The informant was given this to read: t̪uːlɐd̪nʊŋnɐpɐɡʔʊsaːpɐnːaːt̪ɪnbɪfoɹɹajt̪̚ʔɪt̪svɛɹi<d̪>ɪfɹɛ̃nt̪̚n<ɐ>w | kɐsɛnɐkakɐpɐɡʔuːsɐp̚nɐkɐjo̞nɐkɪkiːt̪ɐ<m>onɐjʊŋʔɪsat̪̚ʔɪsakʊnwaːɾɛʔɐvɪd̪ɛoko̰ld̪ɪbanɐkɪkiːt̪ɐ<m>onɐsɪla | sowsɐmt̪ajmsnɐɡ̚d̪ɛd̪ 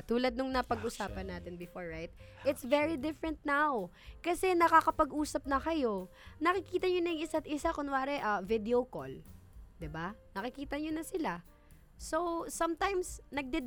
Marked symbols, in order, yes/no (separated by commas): yes, no, no, no